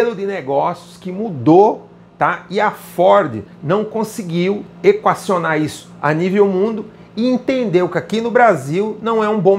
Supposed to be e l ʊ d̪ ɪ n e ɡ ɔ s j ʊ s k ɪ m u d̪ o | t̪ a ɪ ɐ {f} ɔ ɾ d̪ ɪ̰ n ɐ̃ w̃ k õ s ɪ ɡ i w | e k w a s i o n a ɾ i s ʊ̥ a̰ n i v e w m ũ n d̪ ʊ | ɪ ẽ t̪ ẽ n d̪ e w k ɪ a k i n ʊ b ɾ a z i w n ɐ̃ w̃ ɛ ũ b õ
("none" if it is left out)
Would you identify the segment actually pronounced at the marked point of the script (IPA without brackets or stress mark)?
f